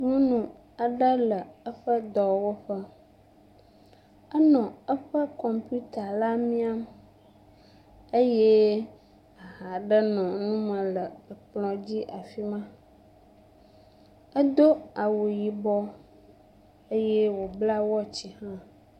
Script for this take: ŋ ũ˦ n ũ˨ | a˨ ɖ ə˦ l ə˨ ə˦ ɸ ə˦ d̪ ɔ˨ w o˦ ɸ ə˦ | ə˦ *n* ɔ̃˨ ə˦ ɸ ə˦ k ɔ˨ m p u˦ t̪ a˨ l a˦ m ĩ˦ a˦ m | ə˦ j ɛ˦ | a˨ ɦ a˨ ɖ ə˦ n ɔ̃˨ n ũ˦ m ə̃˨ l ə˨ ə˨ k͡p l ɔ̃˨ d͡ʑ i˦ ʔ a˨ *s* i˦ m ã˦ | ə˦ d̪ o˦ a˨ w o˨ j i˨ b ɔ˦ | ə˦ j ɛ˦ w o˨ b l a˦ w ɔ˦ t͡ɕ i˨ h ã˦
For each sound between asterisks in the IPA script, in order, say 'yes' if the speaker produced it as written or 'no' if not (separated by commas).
yes, no